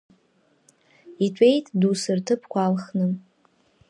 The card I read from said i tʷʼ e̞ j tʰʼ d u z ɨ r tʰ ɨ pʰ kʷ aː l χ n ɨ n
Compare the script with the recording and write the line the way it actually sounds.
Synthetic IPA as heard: i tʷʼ e̞ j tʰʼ d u s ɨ r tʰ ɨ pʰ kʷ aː l χ n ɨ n